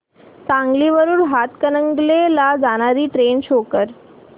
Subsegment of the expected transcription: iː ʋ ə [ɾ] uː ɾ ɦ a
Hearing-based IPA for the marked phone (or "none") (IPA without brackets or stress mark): ɾ